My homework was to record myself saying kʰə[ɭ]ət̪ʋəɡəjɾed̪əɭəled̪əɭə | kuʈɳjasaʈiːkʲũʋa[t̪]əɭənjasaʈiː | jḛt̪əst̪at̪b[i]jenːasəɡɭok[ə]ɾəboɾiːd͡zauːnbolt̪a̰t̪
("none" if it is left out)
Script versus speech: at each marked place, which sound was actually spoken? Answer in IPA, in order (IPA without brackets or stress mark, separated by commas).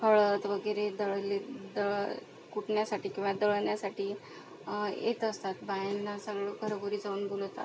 ɭ, d̪, a, ə